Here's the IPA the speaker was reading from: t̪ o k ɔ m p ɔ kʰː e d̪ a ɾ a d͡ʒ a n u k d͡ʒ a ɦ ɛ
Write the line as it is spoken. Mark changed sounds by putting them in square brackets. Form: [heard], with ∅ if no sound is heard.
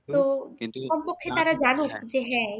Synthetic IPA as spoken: t̪ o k ɔ m p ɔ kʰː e [t̪] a ɾ a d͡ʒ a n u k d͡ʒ [e] ɦ ɛ